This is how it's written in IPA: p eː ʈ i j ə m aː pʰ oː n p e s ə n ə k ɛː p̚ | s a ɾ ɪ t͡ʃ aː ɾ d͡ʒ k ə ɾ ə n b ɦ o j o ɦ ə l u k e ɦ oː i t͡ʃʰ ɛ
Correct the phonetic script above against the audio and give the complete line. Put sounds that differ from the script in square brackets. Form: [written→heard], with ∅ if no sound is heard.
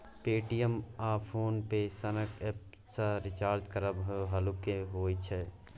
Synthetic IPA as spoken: p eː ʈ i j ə m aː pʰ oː n p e s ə n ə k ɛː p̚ | s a ɾ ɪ t͡ʃ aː ɾ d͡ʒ k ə ɾ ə [n→∅] b ɦ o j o ɦ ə l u k e ɦ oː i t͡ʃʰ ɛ